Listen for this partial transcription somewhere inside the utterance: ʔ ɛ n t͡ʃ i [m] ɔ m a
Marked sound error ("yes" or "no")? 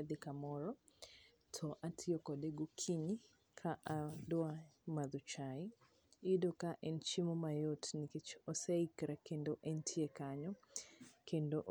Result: no